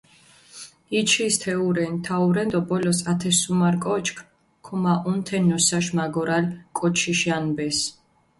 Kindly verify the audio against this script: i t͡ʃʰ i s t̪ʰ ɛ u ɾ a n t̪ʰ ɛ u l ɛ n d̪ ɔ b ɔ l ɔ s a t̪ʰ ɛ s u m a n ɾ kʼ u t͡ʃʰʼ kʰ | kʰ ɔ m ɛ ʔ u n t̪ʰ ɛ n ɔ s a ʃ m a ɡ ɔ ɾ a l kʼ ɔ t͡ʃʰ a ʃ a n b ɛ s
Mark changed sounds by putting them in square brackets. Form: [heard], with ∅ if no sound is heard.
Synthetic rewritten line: i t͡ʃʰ i s t̪ʰ ɛ u ɾ [ɛ] n t̪ʰ [a] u [ɾ] ɛ n d̪ ɔ b ɔ l ɔ s a t̪ʰ ɛ s u m a [∅] ɾ kʼ [ɔ] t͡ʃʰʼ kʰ | kʰ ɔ m [a] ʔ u n t̪ʰ ɛ n ɔ s a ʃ m a ɡ ɔ ɾ a l kʼ ɔ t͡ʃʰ [i] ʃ a n b ɛ s

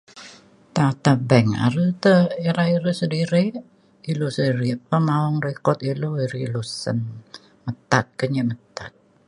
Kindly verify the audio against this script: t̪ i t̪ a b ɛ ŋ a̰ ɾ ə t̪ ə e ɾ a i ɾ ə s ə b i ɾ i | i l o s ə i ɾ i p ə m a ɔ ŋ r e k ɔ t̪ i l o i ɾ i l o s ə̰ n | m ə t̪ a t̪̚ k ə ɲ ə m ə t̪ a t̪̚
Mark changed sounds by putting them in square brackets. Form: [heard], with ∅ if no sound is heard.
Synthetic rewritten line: t̪ [a] t̪ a b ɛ ŋ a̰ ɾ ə t̪ ə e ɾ a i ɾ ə s ə [d] i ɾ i | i l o s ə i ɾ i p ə m a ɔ ŋ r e k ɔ t̪ i l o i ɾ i l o s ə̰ n | m ə t̪ a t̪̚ k ə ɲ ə m ə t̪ a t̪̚

